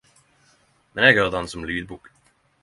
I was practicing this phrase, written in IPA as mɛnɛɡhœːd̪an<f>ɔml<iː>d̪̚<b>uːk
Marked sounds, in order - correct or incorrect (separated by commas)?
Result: incorrect, incorrect, correct